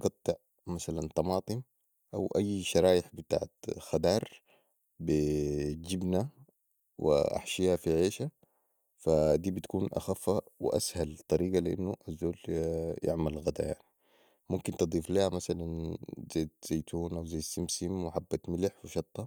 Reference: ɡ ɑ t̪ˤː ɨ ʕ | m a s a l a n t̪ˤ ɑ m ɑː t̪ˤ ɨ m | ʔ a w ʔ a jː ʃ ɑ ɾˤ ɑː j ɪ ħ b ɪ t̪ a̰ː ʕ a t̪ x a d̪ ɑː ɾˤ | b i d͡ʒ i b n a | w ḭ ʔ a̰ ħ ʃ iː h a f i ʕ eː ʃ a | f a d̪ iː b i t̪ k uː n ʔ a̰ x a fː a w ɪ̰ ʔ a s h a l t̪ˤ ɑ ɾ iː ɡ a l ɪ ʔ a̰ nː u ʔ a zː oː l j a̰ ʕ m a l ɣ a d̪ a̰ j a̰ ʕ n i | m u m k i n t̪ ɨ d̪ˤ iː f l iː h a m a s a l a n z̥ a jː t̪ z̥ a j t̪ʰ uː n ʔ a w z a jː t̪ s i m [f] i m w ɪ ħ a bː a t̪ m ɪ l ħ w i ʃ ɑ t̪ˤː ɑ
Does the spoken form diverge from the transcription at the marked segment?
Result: yes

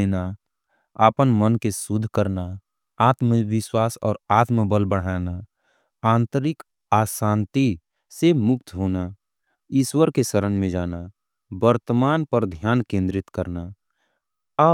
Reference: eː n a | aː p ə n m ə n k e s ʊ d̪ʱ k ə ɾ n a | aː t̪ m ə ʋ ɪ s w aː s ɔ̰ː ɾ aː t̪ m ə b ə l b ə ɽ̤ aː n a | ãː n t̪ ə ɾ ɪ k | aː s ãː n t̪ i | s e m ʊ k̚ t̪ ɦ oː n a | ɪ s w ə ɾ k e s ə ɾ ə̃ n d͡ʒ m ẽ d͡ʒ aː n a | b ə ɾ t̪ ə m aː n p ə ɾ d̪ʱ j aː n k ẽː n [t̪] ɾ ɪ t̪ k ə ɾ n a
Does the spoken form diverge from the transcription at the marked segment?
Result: yes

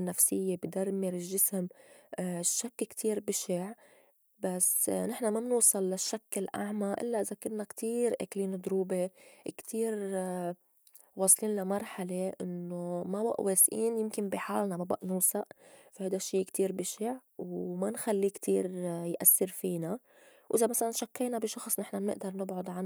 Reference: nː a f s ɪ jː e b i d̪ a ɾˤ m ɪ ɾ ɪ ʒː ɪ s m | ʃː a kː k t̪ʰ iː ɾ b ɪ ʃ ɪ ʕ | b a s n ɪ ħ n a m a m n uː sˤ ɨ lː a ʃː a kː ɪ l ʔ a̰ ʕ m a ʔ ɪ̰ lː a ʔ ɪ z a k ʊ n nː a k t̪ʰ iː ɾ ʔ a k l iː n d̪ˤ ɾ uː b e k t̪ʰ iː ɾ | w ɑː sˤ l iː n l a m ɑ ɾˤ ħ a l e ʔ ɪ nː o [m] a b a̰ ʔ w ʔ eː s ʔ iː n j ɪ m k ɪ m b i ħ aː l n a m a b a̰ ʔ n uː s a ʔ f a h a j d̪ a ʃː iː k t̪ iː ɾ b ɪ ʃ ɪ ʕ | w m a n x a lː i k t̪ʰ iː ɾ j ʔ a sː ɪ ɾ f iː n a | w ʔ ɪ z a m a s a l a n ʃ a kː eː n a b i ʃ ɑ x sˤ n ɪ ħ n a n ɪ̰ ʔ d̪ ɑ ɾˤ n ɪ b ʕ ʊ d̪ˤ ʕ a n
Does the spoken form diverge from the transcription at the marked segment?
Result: no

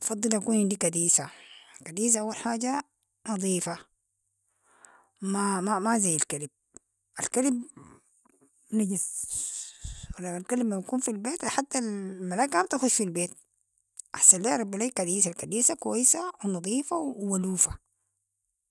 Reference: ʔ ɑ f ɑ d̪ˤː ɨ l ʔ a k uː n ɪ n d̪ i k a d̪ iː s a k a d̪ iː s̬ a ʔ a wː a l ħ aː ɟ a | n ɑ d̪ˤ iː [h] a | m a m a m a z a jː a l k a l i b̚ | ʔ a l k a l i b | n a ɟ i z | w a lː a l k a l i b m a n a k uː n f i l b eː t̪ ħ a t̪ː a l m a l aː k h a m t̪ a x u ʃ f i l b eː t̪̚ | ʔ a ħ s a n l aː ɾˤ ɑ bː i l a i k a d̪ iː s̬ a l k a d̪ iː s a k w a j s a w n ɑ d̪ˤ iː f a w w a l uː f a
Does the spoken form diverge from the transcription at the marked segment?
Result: yes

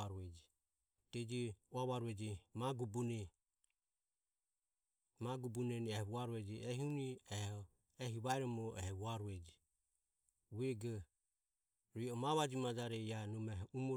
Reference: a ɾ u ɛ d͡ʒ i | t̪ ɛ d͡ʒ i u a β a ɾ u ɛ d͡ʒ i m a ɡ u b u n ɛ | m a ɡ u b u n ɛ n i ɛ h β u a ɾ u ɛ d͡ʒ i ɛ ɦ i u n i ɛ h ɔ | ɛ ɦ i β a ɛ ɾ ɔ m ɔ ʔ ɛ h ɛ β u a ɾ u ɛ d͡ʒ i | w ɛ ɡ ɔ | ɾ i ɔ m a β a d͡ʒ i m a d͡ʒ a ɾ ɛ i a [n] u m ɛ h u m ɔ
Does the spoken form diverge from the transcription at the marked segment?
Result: no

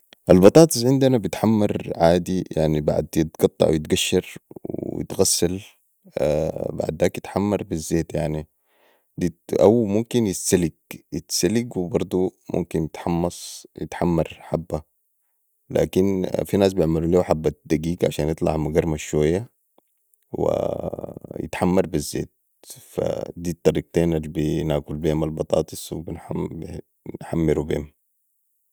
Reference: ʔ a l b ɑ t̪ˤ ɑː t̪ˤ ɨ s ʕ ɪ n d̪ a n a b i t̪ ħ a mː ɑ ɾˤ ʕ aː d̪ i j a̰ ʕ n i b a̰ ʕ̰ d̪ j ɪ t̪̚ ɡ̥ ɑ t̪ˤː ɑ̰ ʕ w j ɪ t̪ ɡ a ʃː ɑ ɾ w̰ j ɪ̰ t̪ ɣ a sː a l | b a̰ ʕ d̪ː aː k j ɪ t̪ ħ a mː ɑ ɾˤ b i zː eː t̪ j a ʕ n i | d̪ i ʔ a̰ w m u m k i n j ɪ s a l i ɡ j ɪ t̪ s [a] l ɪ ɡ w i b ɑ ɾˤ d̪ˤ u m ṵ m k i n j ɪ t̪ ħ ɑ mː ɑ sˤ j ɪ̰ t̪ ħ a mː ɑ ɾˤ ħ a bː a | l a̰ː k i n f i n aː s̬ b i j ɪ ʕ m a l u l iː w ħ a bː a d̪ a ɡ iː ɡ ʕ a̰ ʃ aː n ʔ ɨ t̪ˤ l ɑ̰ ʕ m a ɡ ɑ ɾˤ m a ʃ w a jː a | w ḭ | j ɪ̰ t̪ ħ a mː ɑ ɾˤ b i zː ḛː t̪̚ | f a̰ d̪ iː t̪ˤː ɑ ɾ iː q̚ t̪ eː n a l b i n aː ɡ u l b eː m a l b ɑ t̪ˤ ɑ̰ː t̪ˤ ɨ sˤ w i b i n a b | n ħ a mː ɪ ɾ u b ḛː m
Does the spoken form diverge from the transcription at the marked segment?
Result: no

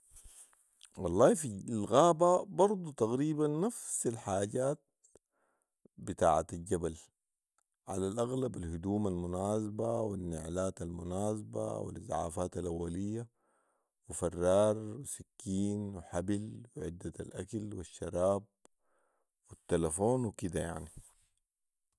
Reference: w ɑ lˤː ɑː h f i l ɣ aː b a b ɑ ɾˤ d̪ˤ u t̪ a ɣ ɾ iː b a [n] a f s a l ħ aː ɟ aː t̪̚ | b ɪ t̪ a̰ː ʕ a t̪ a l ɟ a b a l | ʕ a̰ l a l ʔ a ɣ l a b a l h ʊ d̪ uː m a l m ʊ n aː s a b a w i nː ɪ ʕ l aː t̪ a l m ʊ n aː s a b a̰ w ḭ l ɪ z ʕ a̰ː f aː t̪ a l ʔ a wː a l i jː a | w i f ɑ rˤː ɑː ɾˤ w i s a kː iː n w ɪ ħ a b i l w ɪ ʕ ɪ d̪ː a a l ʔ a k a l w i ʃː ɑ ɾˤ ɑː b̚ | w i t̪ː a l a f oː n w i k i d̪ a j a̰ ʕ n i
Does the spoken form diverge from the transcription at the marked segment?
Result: yes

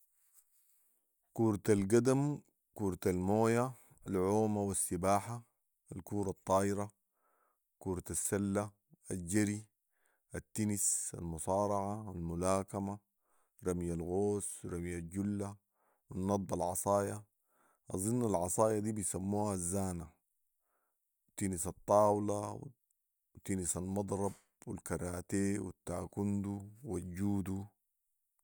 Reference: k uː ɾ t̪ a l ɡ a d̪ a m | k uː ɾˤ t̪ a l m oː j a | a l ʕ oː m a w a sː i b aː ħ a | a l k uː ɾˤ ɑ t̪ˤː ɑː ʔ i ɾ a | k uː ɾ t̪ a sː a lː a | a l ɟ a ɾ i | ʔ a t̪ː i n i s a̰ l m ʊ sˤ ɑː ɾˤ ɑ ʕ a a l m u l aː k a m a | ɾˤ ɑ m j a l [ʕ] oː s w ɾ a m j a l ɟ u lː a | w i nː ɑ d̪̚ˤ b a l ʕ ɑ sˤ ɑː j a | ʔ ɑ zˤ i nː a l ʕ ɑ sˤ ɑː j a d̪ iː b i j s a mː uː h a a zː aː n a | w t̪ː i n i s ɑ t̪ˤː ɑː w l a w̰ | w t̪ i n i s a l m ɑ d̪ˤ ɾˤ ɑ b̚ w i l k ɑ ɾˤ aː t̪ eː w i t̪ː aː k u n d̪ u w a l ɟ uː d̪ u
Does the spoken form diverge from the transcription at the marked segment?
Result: yes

